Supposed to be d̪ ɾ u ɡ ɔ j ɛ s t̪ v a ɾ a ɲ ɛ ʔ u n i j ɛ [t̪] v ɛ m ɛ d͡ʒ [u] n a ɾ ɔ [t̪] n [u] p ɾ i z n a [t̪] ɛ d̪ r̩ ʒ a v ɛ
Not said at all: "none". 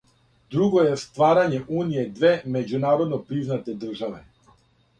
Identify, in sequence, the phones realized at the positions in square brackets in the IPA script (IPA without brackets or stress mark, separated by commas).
d̪, u, d̪, ɔ, t̪